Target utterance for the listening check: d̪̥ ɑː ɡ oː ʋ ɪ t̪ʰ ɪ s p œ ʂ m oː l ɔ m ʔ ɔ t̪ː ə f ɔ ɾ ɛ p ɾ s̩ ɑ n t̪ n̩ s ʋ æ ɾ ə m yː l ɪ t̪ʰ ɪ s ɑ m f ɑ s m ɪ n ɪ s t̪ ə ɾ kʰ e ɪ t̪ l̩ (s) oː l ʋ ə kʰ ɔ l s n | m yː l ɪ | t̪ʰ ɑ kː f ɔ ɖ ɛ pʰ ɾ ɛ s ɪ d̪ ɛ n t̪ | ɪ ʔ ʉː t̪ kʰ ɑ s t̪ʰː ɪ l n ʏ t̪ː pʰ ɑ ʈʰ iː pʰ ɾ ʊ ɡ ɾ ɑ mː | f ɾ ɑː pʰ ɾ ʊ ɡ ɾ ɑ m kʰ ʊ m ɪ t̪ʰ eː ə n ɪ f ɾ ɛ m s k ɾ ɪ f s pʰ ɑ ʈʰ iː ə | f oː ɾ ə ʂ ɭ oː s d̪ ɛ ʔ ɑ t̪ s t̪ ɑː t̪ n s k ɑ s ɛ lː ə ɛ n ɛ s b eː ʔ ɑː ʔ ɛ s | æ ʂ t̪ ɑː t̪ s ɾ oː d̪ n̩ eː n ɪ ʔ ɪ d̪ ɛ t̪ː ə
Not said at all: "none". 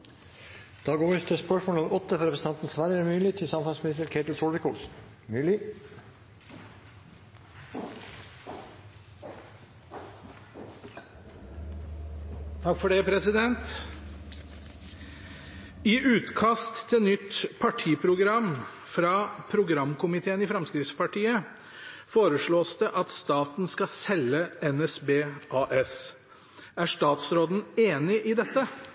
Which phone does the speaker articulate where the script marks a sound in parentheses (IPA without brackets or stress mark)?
s